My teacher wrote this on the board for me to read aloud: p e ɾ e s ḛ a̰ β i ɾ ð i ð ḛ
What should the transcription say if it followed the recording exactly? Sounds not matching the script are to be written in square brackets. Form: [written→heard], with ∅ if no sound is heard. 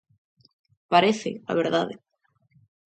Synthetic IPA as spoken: p [e→a] ɾ e [s→θ] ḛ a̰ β [i→e] ɾ ð [i→a] ð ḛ